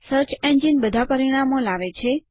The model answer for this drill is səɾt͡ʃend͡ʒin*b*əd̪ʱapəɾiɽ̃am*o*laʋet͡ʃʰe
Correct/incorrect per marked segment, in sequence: correct, correct

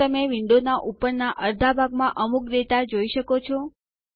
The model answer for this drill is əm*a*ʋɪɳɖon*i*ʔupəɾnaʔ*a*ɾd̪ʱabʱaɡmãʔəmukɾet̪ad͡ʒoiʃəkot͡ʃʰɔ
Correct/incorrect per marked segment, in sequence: incorrect: e, incorrect: a, incorrect: ə

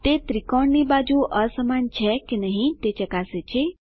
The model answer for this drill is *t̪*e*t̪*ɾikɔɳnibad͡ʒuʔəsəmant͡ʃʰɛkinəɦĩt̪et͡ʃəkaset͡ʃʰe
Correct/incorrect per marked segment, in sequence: correct, correct

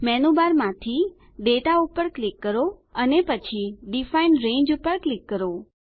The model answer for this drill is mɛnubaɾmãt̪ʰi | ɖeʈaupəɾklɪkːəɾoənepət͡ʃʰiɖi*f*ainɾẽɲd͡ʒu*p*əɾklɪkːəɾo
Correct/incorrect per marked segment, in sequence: correct, correct

